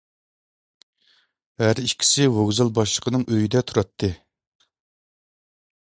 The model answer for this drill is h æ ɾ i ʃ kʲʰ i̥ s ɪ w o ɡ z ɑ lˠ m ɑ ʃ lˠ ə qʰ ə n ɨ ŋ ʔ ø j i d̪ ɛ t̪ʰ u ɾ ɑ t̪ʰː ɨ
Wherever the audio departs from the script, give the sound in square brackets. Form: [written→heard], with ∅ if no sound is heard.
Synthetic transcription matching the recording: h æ ɾ i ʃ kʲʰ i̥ s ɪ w o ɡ z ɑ lˠ [m→b] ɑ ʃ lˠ ə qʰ ə n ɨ ŋ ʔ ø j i d̪ ɛ t̪ʰ u ɾ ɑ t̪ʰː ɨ